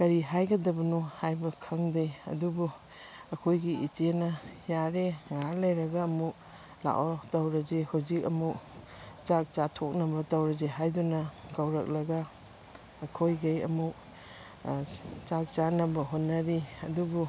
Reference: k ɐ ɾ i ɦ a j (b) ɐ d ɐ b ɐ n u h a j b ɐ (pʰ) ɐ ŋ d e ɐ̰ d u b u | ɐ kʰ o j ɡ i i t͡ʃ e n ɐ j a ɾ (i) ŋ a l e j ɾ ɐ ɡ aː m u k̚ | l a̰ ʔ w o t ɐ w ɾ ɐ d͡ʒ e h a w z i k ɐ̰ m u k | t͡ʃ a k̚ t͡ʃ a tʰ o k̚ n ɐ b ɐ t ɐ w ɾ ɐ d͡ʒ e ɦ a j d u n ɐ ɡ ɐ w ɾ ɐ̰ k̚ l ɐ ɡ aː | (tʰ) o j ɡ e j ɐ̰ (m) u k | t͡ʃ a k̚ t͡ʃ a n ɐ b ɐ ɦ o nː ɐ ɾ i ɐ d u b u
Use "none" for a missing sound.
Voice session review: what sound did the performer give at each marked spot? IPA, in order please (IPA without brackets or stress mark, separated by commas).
ɡ, kʰ, e, kʰ, m